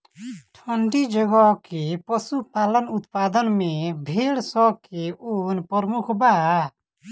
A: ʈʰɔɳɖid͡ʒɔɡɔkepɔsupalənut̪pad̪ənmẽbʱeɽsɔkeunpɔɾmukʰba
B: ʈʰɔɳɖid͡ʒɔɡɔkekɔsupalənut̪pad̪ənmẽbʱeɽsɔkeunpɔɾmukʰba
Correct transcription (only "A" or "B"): A